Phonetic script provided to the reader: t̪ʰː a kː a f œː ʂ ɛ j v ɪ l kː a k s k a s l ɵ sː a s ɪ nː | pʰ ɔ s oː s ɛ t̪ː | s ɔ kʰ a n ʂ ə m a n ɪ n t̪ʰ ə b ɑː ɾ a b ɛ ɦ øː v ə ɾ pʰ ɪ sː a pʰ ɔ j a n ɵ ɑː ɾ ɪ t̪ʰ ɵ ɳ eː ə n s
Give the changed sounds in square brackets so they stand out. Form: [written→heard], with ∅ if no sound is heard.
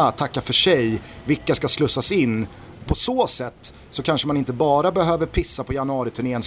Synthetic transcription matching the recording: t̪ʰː a kː a f [œː→œ] ʂ ɛ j v ɪ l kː a [k→∅] s k a s l ɵ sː a s ɪ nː | pʰ ɔ s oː s ɛ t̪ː | s ɔ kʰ a n ʂ ə m a n ɪ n [t̪ʰ→t̪] ə b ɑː ɾ a b ɛ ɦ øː v ə ɾ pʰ ɪ sː a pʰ ɔ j a n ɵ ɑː ɾ ɪ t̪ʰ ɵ ɳ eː ə n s